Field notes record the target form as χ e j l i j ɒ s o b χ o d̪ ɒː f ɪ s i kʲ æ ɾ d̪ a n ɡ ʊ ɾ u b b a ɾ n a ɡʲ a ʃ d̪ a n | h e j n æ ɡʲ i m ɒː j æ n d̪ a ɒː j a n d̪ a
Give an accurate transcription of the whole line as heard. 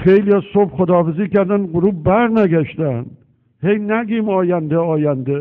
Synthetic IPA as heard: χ e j l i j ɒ s o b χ o d̪ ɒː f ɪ z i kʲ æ ɾ d̪ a n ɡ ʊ ɾ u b b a ɾ n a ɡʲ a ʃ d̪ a n | h e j n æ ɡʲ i m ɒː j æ n d̪ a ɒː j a n d̪ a